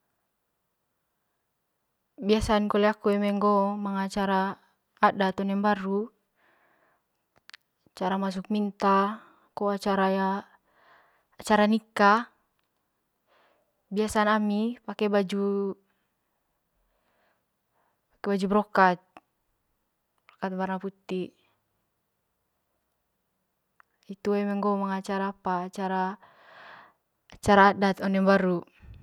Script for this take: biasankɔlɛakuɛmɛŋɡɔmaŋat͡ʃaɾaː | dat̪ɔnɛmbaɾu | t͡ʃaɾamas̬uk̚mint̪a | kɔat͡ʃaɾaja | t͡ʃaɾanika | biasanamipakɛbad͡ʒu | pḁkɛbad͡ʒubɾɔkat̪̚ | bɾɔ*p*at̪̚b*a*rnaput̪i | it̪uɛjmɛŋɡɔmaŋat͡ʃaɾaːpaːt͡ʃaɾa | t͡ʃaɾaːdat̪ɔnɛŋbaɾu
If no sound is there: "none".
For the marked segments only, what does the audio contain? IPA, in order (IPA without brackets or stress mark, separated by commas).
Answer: k, a